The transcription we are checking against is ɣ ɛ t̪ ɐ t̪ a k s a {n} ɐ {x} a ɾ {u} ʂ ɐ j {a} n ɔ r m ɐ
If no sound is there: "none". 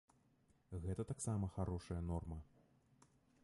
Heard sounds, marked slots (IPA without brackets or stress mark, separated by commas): m, x, ɔ, ɐ